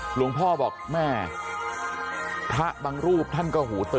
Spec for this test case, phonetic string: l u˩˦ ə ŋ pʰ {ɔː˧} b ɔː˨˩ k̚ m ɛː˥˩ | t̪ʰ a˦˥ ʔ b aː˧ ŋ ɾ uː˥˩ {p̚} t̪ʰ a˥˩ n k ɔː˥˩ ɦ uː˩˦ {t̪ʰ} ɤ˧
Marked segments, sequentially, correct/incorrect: incorrect, correct, incorrect

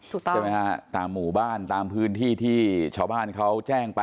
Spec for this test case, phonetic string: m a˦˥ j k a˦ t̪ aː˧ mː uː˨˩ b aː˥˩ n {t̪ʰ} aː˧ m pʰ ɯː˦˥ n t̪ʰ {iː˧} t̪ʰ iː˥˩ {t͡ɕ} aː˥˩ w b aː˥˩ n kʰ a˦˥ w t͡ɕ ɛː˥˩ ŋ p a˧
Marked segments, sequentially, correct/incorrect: incorrect, incorrect, incorrect

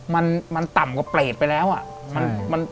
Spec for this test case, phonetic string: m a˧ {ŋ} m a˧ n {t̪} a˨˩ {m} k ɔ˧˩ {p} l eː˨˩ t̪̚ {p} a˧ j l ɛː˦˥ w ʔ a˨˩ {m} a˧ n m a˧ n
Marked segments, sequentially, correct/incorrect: incorrect, correct, correct, correct, correct, correct

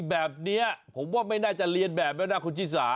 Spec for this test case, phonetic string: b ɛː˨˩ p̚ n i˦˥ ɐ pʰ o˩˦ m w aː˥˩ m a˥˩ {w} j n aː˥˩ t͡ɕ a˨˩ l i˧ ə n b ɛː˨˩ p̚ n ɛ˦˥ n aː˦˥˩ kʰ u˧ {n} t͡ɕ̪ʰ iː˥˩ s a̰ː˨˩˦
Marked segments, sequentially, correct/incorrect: incorrect, correct

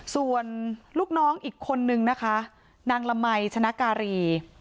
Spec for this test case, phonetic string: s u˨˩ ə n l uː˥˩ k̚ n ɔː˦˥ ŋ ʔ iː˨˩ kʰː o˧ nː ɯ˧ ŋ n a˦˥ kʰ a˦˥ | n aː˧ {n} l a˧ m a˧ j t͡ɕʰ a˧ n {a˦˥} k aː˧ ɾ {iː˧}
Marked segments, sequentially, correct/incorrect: incorrect, correct, correct

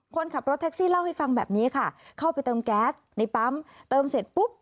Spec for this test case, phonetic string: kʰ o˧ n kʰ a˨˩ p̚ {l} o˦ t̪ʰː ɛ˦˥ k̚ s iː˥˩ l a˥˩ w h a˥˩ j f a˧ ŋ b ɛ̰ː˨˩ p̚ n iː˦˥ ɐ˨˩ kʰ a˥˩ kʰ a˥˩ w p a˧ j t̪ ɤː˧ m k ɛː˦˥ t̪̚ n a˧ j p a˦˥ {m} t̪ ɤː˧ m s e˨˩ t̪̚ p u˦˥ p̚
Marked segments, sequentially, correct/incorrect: incorrect, correct

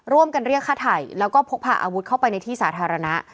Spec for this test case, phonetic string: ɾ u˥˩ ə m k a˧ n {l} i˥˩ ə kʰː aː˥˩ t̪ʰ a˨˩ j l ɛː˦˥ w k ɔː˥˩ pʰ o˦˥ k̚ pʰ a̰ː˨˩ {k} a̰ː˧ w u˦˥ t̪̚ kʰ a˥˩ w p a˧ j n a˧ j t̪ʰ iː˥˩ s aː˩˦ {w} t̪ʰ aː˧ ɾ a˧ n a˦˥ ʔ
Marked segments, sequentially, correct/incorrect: incorrect, incorrect, incorrect

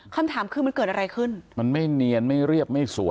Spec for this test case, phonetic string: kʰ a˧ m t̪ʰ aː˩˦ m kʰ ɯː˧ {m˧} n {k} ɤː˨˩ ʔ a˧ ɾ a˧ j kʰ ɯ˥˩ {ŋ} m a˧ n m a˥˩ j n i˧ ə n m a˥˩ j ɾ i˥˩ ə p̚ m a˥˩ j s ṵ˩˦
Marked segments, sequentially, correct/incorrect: correct, correct, incorrect

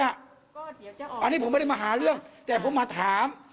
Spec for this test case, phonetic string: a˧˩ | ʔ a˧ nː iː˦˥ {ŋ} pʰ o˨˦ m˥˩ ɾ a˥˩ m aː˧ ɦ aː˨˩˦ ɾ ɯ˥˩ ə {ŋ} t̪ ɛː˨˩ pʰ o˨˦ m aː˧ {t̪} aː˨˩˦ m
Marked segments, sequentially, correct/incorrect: incorrect, correct, incorrect

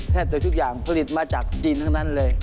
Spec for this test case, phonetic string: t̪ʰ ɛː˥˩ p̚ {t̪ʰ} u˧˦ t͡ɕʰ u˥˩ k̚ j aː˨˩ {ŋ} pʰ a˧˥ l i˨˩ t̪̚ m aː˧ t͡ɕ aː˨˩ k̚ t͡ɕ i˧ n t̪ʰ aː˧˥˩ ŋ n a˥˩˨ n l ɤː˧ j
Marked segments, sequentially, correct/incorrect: incorrect, correct

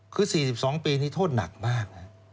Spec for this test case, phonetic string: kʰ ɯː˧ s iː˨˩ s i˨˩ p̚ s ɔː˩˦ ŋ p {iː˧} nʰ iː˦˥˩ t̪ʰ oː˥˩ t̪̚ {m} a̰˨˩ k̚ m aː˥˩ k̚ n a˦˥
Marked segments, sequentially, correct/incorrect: correct, incorrect

